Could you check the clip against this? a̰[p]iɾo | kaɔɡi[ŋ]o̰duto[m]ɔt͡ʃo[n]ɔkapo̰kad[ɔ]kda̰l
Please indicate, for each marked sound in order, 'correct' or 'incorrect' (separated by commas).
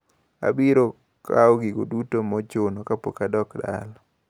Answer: incorrect, incorrect, correct, correct, correct